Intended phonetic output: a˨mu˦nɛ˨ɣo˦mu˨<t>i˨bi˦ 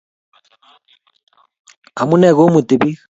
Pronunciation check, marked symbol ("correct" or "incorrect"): correct